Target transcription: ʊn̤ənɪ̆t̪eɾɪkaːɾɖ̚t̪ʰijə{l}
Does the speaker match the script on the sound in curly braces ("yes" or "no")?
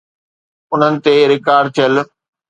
yes